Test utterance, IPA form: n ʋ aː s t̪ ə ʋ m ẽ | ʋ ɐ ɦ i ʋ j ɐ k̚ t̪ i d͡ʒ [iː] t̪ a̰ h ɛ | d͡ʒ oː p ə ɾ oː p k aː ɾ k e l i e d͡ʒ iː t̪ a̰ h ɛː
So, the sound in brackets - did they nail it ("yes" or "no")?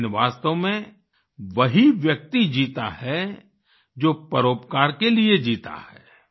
yes